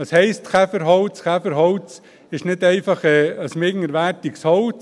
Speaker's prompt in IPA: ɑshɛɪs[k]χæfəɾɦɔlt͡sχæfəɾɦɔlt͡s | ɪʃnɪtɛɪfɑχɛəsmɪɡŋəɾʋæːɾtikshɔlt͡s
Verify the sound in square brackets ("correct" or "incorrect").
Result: incorrect